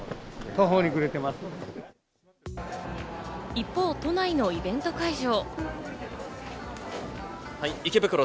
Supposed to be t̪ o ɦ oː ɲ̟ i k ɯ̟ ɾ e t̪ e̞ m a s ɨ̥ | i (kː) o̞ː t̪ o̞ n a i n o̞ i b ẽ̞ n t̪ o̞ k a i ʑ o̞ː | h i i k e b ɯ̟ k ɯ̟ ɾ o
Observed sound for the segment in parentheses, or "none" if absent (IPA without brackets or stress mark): pː